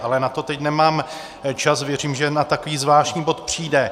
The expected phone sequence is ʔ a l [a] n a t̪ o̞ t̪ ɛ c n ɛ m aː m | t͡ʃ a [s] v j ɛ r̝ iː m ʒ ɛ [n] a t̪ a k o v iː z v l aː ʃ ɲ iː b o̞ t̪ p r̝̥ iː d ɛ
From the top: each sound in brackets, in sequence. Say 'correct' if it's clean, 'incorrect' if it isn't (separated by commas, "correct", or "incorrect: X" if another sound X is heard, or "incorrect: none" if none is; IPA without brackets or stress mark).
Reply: incorrect: ɛ, correct, correct